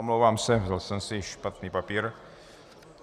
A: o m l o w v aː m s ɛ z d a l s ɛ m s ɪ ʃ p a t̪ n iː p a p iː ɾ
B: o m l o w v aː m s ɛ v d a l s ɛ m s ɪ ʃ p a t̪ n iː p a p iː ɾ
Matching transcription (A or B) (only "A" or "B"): B